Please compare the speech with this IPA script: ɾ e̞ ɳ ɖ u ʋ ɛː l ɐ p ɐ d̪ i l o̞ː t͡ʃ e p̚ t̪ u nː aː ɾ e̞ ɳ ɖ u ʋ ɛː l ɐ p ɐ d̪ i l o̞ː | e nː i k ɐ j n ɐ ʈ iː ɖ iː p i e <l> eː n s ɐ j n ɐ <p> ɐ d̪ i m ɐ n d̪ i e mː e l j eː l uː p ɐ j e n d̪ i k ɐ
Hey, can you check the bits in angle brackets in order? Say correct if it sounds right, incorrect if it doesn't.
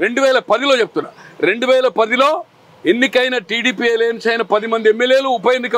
correct, correct

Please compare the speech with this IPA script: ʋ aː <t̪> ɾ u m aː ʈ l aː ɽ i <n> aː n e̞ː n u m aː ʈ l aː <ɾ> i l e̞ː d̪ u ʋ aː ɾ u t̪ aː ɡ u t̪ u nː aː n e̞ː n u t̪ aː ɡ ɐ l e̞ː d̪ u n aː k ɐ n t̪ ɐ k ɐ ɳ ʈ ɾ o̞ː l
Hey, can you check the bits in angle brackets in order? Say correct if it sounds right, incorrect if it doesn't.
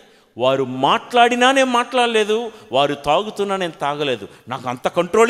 incorrect: none, correct, incorrect: ɽ

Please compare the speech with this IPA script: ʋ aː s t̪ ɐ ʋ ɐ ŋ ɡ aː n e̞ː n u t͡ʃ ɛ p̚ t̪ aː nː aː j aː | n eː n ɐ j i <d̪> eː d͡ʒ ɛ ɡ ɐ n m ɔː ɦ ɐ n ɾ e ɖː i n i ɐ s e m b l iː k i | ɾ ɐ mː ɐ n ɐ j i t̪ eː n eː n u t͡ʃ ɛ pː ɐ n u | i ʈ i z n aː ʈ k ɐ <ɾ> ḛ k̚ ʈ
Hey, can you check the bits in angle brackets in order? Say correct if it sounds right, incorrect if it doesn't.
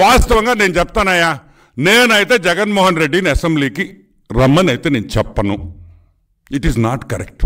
incorrect: t̪, correct

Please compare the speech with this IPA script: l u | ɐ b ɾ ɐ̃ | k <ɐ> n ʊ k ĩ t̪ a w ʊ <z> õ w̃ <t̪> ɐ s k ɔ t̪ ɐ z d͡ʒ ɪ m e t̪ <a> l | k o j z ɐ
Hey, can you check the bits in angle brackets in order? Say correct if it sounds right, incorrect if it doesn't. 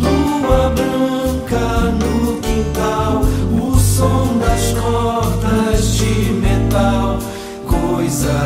correct, incorrect: s, incorrect: d̪, correct

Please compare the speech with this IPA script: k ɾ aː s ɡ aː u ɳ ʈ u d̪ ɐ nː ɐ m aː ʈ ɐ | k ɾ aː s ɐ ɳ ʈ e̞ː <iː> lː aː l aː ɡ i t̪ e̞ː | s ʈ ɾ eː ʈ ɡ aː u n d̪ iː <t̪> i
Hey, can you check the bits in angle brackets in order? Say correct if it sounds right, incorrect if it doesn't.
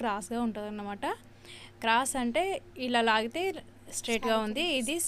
incorrect: i, incorrect: d̪

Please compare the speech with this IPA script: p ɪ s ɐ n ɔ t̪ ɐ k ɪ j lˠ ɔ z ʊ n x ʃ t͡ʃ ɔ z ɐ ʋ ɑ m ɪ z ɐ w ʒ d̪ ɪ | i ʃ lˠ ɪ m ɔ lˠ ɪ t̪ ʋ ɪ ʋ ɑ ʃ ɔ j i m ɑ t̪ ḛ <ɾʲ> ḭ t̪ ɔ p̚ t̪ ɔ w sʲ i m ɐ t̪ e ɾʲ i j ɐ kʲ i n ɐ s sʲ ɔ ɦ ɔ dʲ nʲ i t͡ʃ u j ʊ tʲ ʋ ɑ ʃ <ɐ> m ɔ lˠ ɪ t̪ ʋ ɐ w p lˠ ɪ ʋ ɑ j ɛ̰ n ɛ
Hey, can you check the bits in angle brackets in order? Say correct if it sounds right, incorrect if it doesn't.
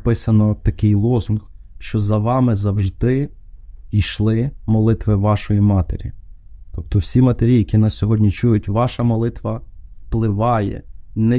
correct, correct

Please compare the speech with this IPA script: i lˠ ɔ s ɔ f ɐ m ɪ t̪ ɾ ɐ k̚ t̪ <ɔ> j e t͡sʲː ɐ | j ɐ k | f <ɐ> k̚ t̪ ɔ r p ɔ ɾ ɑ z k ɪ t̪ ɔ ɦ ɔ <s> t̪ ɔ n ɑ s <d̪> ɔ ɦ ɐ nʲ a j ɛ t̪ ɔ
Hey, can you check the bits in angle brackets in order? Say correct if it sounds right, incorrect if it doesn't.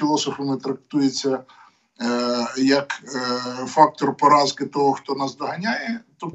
incorrect: u, incorrect: ɑ, incorrect: x, correct

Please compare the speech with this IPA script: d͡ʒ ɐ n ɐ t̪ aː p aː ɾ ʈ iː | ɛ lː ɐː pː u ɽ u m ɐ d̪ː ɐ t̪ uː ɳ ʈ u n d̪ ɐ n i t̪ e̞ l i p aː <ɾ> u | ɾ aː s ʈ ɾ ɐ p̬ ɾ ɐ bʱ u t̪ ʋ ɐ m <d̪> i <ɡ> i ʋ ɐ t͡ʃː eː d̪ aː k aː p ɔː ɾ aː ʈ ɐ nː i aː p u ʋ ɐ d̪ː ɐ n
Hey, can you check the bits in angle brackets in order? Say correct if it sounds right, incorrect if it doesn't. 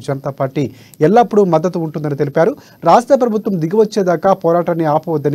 correct, correct, correct

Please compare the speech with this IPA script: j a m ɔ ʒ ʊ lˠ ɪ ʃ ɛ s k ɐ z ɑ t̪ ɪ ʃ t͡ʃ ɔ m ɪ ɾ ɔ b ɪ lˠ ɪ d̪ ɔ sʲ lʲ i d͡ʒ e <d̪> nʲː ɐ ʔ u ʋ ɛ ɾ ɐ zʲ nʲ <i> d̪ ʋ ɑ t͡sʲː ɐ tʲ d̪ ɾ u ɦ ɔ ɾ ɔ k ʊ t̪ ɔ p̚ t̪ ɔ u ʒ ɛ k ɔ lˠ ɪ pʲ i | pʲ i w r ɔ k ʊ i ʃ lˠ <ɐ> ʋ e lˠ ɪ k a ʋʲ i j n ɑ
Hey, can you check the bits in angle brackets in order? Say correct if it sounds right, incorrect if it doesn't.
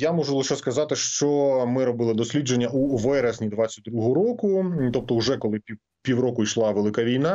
incorrect: none, correct, incorrect: ɑ

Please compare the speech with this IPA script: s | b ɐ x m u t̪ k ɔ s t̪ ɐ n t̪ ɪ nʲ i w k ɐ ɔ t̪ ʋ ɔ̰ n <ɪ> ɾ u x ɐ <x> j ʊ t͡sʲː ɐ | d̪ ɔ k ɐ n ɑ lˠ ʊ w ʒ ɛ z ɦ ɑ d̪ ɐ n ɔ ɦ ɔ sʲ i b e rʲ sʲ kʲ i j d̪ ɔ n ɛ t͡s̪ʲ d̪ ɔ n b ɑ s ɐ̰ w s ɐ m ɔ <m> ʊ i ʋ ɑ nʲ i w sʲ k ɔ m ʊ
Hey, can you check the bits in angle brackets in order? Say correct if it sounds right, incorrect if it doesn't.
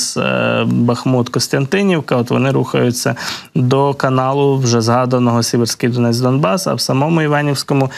correct, incorrect: none, correct

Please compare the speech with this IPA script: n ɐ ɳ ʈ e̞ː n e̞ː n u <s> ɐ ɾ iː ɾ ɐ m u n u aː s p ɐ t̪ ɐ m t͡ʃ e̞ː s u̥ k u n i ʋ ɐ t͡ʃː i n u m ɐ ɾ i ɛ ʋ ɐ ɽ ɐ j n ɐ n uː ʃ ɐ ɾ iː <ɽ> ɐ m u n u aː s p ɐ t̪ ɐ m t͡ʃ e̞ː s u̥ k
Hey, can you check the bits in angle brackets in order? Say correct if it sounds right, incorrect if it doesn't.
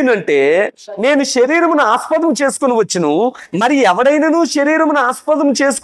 incorrect: ʃ, incorrect: ɾ

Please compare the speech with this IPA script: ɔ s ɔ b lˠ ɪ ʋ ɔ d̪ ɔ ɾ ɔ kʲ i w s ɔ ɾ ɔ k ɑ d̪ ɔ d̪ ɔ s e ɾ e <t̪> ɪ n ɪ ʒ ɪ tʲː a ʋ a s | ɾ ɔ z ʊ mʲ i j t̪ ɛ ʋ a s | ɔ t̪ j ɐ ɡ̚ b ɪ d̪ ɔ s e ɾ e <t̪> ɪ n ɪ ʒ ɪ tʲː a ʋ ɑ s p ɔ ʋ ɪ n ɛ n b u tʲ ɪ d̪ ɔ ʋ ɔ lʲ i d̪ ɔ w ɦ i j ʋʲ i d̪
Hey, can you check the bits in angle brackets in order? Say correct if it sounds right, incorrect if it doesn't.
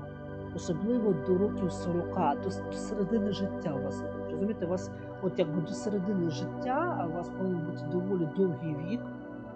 incorrect: d̪, incorrect: d̪

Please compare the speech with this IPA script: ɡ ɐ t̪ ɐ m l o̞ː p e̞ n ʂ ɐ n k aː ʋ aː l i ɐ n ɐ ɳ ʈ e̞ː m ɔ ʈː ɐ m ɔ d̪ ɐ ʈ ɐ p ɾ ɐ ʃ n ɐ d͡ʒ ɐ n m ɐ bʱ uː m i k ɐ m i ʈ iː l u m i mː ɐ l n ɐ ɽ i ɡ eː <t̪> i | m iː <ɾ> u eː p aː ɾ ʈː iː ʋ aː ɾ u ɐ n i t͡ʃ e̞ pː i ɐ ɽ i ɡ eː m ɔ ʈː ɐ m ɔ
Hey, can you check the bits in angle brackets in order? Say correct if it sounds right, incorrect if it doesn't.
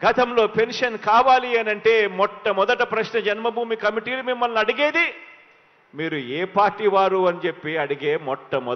incorrect: d̪, correct

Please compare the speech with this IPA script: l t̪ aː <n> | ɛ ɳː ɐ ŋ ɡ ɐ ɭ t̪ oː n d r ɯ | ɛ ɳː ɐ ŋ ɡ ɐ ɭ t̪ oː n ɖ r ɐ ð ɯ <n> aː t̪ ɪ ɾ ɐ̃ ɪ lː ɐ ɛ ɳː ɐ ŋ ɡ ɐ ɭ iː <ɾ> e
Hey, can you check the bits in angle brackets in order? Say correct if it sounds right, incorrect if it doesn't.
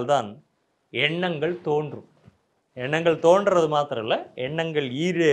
correct, incorrect: m, correct

